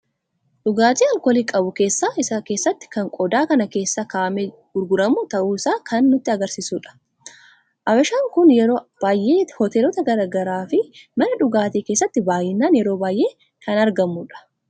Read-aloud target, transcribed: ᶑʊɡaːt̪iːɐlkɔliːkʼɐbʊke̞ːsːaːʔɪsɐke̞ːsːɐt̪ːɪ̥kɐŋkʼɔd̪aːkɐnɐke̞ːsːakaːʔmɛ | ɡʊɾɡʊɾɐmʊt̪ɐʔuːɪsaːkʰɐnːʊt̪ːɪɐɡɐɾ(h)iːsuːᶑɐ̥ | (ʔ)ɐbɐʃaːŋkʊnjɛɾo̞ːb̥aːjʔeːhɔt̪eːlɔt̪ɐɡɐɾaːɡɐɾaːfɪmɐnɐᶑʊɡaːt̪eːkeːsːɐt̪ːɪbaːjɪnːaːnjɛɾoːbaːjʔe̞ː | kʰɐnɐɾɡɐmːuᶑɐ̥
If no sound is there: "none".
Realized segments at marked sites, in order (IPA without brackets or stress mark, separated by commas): s, ʔ